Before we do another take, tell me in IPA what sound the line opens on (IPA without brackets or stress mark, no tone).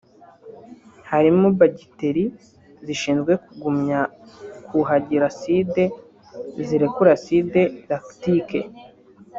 h